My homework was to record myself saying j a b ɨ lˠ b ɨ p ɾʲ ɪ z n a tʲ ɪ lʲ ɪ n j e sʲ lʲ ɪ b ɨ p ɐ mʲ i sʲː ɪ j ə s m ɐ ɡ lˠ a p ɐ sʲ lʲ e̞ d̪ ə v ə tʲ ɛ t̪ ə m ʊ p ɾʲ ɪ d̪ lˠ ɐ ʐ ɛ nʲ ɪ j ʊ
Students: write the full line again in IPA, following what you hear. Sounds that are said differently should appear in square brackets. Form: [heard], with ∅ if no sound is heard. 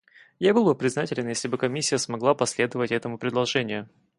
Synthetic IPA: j a b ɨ lˠ b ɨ p ɾʲ ɪ z n a tʲ ɪ lʲ ɪ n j e sʲ lʲ ɪ b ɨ [k] ɐ mʲ i sʲː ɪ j ə s m ɐ ɡ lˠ a p ɐ sʲ lʲ e̞ d̪ ə v ə tʲ ɛ t̪ ə m ʊ p ɾʲ ɪ d̪ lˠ ɐ ʐ ɛ nʲ ɪ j ʊ